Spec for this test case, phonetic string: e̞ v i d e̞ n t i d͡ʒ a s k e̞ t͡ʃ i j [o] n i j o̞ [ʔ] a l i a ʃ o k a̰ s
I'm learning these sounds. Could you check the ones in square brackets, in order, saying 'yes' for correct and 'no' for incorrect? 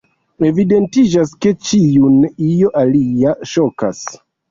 no, yes

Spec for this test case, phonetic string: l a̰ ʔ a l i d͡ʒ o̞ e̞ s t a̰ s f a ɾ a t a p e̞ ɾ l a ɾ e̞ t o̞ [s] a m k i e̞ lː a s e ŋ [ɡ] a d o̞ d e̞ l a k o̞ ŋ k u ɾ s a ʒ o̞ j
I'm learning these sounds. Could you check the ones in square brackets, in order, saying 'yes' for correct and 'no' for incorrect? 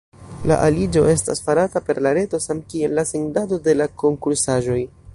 yes, no

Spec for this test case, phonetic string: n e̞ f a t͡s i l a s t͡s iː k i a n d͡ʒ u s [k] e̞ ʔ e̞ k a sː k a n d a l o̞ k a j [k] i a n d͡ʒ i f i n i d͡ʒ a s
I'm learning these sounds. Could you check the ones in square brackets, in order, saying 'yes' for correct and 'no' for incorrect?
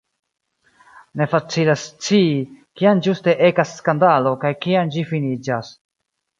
no, yes

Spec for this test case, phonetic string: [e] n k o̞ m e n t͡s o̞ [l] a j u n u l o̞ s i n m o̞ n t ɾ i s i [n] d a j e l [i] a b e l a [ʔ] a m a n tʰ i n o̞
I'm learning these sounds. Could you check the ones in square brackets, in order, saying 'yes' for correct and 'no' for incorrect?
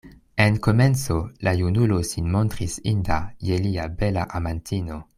yes, yes, yes, yes, yes

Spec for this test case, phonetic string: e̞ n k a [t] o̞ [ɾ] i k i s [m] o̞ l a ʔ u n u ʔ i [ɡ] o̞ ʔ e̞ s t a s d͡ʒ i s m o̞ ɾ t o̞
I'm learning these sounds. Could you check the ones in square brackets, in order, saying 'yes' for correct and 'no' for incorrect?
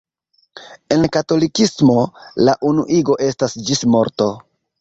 yes, no, yes, yes

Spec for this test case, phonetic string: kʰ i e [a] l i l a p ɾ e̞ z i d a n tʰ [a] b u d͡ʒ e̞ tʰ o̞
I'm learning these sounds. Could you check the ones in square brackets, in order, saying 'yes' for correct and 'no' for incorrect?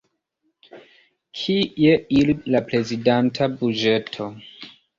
no, yes

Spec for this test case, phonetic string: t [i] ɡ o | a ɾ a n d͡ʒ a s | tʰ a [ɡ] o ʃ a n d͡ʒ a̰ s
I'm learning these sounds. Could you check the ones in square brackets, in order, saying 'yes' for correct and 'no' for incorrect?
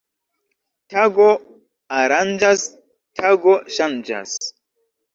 no, yes

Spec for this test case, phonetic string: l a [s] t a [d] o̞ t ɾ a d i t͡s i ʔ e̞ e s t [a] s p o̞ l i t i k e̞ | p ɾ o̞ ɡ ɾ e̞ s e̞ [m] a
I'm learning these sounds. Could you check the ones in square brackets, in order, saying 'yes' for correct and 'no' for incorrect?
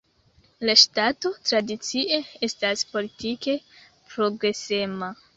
no, no, yes, yes

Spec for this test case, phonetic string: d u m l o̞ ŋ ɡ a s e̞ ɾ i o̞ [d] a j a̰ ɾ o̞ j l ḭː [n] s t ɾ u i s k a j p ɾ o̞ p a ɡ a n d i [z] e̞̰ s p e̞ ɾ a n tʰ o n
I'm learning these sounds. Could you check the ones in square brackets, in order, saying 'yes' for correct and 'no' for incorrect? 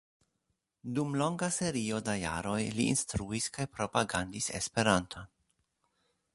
yes, yes, no

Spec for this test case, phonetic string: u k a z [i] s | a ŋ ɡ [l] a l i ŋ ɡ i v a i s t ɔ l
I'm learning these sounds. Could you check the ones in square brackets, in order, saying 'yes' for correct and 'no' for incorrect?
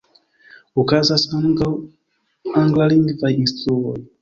no, yes

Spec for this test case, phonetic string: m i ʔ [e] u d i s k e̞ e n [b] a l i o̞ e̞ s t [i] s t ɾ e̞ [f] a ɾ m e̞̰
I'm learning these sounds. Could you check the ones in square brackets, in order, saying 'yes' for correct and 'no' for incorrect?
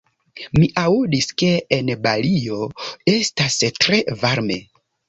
no, yes, no, no

